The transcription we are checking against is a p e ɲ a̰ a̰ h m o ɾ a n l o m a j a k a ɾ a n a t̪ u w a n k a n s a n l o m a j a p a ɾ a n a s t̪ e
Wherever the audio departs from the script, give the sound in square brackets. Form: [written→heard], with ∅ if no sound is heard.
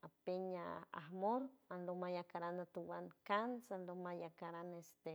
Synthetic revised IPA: a p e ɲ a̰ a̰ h m o ɾ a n l o m a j a k a ɾ a n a t̪ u w a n k a n s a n l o m a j a [p→k] a ɾ a n [a→e] s t̪ e